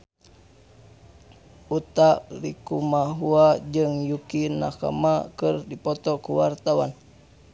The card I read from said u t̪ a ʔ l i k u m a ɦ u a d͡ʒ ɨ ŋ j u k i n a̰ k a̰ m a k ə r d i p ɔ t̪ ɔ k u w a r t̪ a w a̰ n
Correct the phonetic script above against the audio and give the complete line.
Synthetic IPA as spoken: u t̪ a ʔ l i k u m a ɦ u a d͡ʒ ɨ ŋ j u k i n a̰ k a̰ m a k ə r d i p ɔ t̪ ɔ k u w a r t̪ a w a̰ n